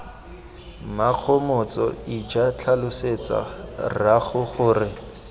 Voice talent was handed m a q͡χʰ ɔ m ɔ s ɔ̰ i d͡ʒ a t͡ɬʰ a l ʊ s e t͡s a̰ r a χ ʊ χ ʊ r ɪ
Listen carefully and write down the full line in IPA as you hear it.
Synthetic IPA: m a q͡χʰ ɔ m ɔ t͡s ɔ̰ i d͡ʒ a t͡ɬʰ a l ʊ s e t͡s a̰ r a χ ʊ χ ʊː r ɪ